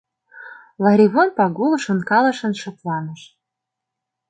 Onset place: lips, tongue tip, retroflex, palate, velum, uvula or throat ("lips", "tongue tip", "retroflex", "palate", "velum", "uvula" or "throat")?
tongue tip